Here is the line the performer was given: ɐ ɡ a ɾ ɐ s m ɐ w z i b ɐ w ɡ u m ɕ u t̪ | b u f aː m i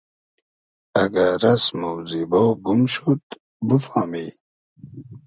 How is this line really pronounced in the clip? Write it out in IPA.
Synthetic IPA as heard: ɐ ɡ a ɾ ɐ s m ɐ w z i b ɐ w ɡ u m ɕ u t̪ | b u f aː m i